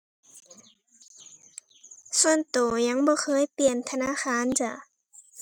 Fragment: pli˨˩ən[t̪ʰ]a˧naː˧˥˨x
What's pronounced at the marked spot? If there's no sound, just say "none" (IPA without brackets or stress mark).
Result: t̪ʰ